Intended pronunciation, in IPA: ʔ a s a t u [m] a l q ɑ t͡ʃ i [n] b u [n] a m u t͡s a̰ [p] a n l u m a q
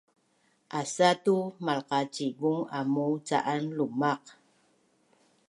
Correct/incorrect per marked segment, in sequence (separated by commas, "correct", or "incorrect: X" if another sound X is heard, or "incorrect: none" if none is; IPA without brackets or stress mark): correct, incorrect: none, incorrect: ŋ, incorrect: ʔ